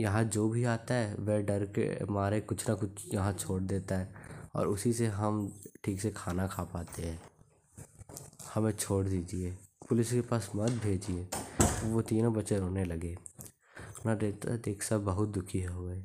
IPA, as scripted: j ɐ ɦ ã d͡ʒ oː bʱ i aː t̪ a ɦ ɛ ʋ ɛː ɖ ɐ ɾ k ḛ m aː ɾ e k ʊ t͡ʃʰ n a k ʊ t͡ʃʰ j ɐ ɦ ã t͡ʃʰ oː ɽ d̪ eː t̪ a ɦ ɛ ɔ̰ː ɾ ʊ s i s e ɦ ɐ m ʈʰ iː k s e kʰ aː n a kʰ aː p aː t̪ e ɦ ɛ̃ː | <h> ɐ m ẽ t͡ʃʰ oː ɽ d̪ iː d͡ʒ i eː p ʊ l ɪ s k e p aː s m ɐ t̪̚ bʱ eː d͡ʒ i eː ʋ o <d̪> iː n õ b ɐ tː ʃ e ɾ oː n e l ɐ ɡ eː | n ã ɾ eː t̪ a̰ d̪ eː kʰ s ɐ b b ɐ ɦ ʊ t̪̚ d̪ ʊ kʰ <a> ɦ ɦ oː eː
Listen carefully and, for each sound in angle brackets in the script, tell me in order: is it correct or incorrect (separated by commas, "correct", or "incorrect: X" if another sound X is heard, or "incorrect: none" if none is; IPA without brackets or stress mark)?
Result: correct, incorrect: t̪, incorrect: i